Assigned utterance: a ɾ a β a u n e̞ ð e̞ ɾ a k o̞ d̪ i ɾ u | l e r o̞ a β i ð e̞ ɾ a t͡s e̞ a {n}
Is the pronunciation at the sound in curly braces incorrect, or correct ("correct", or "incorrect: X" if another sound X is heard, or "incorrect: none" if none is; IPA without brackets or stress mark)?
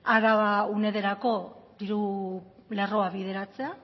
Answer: incorrect: none